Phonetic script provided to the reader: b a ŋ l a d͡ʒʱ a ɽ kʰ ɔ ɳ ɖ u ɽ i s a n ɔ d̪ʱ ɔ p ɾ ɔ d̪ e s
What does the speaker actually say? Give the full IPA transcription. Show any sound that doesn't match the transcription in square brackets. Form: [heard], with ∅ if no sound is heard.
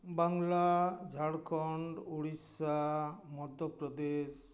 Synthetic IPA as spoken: b a ŋ l a d͡ʒʱ a ɽ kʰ ɔ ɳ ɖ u ɽ i s a [m] ɔ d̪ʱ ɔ p ɾ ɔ d̪ e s

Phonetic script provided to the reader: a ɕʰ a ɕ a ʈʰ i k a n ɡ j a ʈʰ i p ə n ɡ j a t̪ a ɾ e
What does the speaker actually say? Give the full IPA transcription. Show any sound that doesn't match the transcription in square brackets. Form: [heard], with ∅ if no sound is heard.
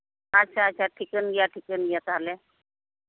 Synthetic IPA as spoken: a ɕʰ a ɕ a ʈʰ i k [ə] n ɡ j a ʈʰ i [k] ə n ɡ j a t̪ a [l] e

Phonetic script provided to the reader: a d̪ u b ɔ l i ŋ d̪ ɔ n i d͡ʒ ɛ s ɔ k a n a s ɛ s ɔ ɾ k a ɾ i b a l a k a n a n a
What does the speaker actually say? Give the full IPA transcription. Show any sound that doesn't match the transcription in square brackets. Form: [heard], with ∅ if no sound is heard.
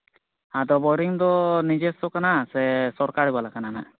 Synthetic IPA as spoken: a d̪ [ɔ] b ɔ [ɾ] i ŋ d̪ ɔ n i d͡ʒ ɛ s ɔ k a n a s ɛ s ɔ ɾ k a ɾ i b a l a k a n a n a

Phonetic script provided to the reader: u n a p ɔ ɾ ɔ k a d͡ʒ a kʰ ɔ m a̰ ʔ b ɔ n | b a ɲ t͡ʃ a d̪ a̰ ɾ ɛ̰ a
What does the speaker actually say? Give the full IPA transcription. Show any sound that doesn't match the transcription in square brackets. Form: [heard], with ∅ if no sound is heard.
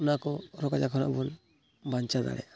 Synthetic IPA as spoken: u n a [k] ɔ ɾ ɔ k a d͡ʒ a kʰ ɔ [n] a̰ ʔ b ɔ n | b a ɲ t͡ʃ a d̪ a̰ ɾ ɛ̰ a

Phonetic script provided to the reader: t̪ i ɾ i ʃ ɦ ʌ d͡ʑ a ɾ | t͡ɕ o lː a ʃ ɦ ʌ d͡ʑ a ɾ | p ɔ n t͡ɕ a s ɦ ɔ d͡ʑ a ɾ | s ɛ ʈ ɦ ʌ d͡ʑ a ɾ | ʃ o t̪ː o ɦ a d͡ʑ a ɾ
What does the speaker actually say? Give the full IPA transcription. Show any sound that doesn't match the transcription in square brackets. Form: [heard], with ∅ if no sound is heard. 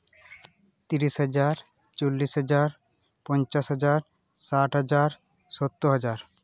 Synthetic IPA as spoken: t̪ i ɾ i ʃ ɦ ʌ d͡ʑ a ɾ | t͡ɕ o lː [i] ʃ ɦ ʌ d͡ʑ a ɾ | p ɔ n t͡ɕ a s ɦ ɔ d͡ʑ a ɾ | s [a] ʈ ɦ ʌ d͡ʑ a ɾ | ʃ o t̪ː o ɦ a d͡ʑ a ɾ

